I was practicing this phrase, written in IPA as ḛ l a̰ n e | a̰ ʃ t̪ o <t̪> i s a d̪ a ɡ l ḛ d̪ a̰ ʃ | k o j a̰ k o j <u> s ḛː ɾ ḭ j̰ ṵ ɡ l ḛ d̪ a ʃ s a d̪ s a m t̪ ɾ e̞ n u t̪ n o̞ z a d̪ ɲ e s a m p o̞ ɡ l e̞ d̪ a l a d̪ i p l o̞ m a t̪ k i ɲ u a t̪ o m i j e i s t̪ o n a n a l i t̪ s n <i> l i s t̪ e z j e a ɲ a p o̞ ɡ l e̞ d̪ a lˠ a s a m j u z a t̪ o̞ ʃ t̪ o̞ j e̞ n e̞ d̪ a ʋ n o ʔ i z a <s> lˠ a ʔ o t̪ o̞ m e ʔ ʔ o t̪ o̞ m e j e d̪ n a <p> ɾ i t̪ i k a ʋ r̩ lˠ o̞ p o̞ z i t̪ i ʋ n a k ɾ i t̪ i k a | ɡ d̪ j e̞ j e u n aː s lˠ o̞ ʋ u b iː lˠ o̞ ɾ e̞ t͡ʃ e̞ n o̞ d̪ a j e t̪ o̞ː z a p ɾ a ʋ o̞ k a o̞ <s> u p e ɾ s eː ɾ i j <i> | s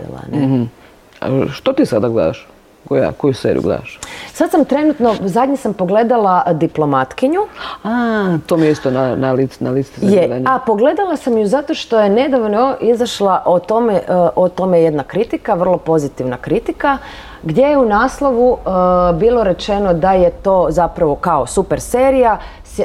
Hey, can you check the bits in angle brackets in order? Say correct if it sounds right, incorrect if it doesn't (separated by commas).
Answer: correct, correct, incorrect, incorrect, incorrect, correct, incorrect